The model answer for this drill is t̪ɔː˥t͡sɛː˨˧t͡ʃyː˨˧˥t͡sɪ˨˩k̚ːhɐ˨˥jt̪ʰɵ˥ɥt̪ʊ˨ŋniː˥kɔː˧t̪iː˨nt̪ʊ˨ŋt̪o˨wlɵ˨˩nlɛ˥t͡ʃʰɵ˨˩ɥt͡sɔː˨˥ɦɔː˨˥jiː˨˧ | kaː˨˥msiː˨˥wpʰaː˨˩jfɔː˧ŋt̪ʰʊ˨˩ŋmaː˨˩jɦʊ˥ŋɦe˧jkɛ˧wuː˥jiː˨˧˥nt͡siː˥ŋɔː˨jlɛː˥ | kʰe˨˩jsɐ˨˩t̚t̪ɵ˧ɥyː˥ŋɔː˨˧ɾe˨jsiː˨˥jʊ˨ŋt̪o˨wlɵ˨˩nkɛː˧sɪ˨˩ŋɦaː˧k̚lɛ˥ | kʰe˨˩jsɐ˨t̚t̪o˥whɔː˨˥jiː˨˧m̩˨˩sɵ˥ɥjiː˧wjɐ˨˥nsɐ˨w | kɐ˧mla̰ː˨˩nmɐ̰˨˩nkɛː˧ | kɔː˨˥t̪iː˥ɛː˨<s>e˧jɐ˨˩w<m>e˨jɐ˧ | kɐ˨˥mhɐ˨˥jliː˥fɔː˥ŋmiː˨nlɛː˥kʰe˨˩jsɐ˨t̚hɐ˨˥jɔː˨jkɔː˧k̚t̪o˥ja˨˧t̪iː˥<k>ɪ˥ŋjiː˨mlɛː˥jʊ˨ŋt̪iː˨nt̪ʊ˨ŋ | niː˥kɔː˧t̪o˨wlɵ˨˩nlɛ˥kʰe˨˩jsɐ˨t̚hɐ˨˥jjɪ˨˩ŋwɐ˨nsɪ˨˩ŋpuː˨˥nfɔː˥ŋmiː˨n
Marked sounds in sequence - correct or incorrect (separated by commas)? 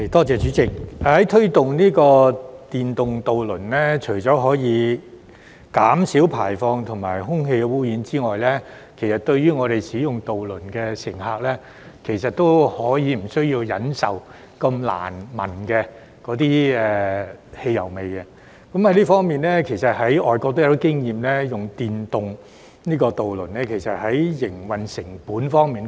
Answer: incorrect, correct, correct